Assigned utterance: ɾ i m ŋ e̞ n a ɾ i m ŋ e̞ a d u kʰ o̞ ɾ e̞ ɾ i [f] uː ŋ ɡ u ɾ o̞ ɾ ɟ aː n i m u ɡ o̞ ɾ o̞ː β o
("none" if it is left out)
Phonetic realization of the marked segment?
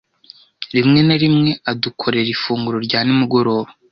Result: f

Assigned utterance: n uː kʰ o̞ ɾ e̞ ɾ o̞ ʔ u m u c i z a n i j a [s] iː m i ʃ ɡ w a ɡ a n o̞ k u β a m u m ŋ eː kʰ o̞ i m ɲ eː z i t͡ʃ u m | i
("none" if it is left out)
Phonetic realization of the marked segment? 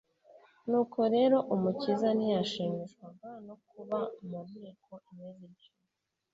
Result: ʃ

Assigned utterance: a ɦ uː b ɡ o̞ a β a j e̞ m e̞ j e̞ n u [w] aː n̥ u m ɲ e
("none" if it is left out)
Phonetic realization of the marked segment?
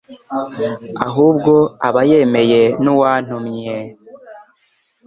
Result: w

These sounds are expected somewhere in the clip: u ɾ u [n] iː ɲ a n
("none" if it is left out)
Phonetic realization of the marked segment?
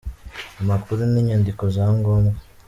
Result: n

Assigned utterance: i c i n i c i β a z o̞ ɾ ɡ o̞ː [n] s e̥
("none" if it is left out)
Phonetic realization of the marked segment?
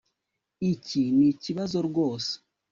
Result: none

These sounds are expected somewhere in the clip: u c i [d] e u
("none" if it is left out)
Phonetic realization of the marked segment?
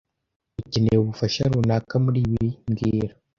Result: n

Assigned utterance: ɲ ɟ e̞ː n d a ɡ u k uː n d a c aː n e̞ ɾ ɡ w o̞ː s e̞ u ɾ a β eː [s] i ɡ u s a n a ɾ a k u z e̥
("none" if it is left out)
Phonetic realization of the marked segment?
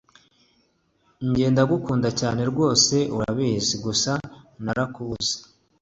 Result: z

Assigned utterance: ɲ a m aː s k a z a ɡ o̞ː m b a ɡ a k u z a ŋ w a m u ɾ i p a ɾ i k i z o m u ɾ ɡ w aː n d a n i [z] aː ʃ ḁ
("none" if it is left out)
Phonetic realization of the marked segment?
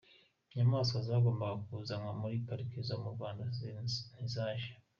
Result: z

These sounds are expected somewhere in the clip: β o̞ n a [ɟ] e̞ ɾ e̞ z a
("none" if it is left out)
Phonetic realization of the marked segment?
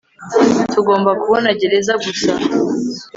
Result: ɟ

